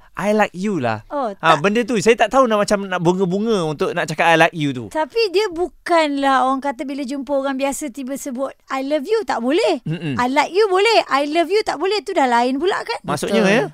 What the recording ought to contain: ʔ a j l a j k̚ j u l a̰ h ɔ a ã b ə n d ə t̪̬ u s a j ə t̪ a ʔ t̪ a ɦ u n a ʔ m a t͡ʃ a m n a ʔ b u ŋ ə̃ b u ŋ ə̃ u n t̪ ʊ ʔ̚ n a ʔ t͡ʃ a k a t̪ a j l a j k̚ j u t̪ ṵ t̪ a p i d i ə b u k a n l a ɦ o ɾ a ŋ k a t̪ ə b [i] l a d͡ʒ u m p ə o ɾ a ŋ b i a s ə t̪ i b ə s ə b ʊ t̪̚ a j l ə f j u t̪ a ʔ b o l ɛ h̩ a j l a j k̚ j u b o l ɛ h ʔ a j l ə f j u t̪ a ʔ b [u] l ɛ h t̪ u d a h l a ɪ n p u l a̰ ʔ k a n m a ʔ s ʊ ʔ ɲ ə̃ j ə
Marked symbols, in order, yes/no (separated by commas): yes, no